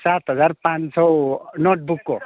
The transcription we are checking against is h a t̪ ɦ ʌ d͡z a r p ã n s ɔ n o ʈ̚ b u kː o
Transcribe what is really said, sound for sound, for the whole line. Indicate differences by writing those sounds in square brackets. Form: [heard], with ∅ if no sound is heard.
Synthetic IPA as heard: [s] a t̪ ɦ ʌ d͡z a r p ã n s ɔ n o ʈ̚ b u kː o

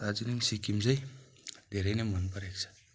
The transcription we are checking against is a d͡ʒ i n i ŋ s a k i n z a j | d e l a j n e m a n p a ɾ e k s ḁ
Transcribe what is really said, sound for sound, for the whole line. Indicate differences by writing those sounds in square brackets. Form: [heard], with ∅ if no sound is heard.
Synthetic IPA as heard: a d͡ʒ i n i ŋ s [i] k i [m] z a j | d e [ɾ] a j n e m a n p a ɾ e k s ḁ

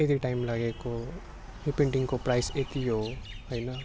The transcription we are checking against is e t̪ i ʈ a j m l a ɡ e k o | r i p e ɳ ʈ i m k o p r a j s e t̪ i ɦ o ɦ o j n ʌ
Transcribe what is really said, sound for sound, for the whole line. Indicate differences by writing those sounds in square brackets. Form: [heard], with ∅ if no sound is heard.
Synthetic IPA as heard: e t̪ i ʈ a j m l a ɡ e k o | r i p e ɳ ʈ i [ŋ] k o p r a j s e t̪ i ɦ o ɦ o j n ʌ

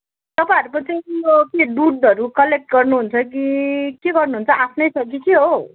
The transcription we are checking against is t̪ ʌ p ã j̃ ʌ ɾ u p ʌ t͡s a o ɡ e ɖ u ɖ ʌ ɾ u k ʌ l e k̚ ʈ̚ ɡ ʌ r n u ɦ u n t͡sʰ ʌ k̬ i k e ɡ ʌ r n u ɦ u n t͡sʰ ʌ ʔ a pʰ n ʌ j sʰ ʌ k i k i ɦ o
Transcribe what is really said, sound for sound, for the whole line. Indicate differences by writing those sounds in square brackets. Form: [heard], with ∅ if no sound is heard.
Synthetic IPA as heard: t̪ ʌ p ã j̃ ʌ ɾ u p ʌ t͡s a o [k] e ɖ u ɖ ʌ ɾ u k ʌ l e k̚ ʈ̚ ɡ ʌ r n u ɦ u n t͡sʰ ʌ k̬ i k e ɡ ʌ r n u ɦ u n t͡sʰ ʌ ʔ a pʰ n ʌ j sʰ ʌ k i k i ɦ o

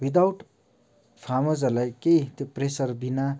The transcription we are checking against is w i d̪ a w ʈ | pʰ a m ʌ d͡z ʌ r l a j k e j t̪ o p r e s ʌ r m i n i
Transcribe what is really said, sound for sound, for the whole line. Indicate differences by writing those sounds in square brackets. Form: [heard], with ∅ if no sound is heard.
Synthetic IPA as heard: w i d̪ a w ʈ | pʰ a m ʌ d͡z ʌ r l a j k e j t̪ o p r e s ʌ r [b] i n [a]

